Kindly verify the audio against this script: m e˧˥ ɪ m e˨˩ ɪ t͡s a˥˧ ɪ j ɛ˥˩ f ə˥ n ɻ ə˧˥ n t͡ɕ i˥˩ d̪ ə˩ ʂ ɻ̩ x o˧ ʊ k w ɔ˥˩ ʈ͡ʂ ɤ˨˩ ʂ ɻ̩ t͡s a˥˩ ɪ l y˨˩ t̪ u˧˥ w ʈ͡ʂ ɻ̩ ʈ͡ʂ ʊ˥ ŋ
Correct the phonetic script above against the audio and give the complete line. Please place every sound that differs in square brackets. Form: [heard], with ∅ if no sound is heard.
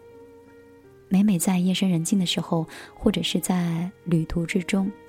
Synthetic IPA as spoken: m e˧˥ ɪ m e˨˩ ɪ t͡s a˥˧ ɪ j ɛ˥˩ [ʂ] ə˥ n ɻ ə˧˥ n t͡ɕ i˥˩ d̪ ə˩ ʂ ɻ̩ x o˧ ʊ [x] w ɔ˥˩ ʈ͡ʂ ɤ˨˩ ʂ ɻ̩ t͡s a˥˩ ɪ l y˨˩ [t̪ʰ] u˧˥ [∅] ʈ͡ʂ ɻ̩ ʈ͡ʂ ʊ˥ ŋ